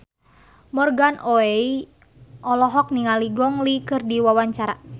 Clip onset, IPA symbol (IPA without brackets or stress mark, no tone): m